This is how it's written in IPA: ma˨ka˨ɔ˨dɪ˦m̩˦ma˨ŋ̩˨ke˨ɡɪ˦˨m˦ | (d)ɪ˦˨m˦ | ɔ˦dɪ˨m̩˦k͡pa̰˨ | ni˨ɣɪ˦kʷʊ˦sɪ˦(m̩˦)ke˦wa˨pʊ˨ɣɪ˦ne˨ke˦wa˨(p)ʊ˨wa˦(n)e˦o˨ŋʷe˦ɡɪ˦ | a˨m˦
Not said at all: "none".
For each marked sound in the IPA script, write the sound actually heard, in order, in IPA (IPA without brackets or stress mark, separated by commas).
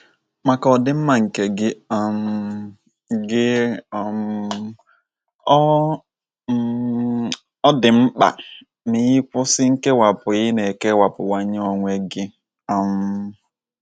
ɡ, ŋ̩˦, p, ɲ